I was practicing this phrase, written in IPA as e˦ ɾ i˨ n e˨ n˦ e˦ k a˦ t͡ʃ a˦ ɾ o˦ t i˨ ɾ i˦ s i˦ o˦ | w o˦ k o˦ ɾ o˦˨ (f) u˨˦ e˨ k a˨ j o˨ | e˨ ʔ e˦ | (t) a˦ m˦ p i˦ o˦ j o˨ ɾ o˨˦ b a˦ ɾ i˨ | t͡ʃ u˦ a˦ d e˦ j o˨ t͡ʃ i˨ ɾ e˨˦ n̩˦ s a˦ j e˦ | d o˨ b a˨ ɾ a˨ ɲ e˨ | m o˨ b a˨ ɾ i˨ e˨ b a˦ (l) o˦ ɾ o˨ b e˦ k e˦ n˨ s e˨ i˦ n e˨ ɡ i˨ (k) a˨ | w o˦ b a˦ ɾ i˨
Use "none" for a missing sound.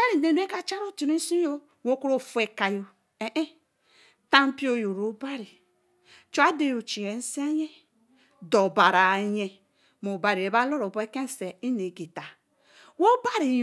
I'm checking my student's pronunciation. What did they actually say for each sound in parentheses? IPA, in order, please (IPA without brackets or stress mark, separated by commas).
f, t, l, t